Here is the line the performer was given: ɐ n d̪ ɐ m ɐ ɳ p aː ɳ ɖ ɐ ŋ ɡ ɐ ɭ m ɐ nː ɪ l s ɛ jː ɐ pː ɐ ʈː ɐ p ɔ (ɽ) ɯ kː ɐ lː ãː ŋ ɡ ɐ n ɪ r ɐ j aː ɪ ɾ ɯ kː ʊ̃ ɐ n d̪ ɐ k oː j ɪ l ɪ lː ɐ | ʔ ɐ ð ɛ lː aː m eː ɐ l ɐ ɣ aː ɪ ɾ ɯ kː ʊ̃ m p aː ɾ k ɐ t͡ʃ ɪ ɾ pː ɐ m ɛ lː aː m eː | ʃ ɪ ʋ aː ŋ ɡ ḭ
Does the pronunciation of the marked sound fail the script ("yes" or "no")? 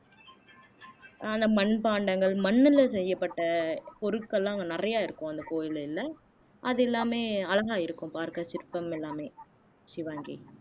yes